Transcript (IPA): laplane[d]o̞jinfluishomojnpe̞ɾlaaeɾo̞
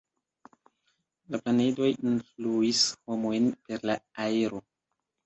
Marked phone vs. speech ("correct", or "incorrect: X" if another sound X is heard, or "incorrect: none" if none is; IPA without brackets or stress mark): correct